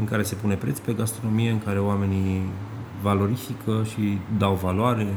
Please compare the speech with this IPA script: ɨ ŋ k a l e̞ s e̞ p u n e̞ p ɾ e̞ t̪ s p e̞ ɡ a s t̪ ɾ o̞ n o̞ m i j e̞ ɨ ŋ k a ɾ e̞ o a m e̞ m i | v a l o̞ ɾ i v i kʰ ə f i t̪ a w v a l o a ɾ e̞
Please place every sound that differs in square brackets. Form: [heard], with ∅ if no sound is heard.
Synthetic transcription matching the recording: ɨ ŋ k a [ɾ] e̞ s e̞ p u n e̞ p ɾ e̞ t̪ s p e̞ ɡ a s t̪ ɾ o̞ n o̞ m i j e̞ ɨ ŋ k a ɾ e̞ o a m e̞ [n] i | v a l o̞ ɾ i [f] i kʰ ə [ʃ] i [d̪] a w v a l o a ɾ e̞